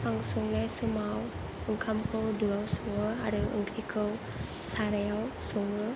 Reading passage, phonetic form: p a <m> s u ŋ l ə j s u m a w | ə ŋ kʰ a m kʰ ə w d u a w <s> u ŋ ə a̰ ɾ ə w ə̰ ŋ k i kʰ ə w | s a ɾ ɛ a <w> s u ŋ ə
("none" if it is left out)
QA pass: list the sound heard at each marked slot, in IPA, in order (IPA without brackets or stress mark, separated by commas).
ŋ, s, w